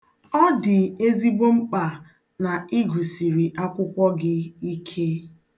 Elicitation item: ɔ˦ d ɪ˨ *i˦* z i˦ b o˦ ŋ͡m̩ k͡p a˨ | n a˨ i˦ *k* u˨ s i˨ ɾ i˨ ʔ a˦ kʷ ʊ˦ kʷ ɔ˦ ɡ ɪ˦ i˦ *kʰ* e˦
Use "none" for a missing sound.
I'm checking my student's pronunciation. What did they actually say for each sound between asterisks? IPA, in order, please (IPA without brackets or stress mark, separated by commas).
e˦, ɡ, kʰ